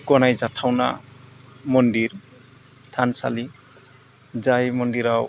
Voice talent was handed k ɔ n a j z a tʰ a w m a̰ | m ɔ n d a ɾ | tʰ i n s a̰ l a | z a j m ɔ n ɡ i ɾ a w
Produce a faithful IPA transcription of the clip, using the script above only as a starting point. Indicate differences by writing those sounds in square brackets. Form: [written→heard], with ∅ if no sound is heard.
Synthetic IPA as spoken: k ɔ n a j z a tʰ a w [m→n] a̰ | m ɔ n d [a→i] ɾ | tʰ [i→a] n s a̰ l [a→i] | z a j m ɔ n [ɡ→d] i ɾ a w